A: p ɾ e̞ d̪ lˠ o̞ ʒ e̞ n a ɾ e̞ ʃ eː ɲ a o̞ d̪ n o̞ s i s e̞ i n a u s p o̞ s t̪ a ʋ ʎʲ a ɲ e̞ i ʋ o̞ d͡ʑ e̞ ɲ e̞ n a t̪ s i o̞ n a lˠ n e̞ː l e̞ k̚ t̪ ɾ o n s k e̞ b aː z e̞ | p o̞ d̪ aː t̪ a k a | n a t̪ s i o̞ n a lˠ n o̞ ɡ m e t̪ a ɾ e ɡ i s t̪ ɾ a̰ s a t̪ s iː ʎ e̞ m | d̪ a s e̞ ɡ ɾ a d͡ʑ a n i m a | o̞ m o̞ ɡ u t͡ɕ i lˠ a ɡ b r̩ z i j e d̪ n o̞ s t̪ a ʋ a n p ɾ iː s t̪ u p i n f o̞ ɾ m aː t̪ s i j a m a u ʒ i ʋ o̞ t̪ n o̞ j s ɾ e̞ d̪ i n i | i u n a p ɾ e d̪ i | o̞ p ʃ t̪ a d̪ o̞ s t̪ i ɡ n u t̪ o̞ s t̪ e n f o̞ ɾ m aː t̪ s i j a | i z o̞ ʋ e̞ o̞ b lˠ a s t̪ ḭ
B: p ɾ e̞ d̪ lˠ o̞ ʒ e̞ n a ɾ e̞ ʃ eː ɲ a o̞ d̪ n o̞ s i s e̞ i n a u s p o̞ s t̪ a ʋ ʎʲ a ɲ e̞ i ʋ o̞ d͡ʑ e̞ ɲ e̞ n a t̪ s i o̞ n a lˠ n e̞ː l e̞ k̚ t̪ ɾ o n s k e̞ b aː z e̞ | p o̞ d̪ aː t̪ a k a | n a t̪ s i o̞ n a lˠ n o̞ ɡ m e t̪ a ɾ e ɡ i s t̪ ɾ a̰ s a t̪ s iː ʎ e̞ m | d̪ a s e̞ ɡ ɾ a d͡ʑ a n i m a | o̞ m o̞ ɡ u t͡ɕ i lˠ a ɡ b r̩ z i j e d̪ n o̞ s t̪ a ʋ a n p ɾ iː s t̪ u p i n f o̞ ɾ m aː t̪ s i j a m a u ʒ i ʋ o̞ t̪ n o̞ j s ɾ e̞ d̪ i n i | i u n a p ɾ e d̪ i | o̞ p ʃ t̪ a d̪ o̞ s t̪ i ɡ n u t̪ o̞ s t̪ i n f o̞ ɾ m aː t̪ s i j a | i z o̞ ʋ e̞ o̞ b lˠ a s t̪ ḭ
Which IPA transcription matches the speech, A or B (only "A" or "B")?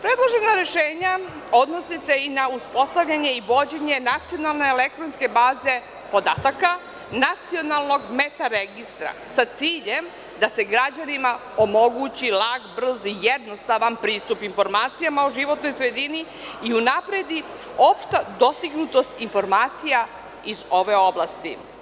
B